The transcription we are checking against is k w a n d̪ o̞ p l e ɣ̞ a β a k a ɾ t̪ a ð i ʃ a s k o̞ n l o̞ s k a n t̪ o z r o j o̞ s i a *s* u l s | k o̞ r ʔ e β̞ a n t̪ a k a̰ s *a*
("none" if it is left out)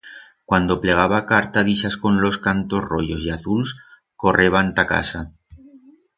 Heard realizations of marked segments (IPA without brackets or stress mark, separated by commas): θ, a